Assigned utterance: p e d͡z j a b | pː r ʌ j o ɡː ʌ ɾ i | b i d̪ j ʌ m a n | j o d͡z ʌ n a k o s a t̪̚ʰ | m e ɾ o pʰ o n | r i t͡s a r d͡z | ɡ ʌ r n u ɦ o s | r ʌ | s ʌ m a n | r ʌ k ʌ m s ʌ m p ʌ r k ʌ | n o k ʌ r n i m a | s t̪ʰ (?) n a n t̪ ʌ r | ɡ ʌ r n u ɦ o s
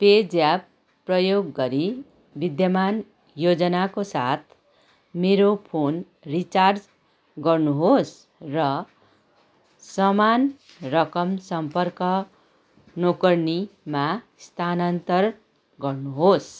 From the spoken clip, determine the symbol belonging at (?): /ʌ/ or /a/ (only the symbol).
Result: a